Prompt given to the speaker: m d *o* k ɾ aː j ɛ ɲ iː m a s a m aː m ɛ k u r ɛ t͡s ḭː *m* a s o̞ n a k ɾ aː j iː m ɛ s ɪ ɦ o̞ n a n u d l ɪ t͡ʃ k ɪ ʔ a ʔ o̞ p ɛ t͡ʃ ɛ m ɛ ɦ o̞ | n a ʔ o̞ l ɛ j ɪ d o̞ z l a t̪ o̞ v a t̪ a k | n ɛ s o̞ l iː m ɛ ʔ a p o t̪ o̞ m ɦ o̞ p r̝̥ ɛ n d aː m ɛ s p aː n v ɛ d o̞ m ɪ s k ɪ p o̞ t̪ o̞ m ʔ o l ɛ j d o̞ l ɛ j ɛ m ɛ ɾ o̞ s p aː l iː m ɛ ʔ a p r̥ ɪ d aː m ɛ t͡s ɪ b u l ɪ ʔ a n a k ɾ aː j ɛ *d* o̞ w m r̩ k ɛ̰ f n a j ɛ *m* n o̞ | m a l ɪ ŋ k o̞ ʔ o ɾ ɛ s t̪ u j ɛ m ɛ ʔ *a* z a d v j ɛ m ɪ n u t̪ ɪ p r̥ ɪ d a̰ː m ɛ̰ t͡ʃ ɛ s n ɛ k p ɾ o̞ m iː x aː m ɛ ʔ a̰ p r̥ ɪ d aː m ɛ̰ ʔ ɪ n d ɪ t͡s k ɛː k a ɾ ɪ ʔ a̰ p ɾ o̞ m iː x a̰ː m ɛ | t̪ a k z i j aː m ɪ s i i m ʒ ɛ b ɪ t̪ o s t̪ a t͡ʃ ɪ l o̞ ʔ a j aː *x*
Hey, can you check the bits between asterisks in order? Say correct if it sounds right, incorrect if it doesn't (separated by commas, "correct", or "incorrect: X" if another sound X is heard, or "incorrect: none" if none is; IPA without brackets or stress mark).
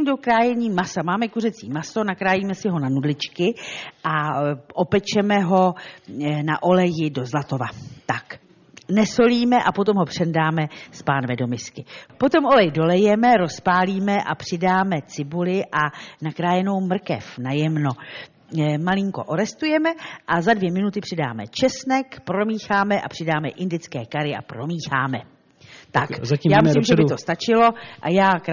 correct, correct, incorrect: n, correct, correct, incorrect: k